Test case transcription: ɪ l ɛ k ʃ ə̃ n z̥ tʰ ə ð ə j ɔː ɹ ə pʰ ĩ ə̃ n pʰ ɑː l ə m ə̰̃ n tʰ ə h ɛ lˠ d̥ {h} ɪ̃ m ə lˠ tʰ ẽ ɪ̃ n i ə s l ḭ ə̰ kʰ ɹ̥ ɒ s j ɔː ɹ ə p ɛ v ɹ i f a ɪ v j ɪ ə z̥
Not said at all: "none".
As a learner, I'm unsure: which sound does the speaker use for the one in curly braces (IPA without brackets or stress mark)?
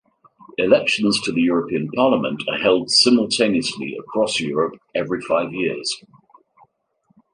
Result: s